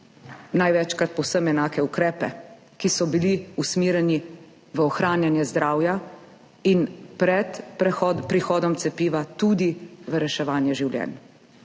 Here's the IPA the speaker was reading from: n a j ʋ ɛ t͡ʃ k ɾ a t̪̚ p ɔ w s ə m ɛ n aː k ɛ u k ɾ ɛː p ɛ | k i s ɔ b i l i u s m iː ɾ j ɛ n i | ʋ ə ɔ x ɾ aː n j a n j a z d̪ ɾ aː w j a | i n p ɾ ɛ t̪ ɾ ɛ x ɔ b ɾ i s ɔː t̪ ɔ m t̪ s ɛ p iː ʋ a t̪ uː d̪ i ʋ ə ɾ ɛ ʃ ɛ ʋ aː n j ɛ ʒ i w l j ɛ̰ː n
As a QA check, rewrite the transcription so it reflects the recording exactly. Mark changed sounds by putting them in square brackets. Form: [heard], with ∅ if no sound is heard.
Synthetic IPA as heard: n a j ʋ ɛ t͡ʃ k ɾ a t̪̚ p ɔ w s ə m ɛ n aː k ɛ u k ɾ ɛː p ɛ | k i s ɔ b i l i u s m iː ɾ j ɛ n i | ʋ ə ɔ x ɾ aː n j a n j [ɛ] z d̪ ɾ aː w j a | i n p ɾ ɛ t̪ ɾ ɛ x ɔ [p] ɾ i [x] ɔː [d̪] ɔ m t̪ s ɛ p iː ʋ a t̪ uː d̪ i ʋ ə ɾ ɛ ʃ ɛ ʋ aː n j ɛ ʒ i w l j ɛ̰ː n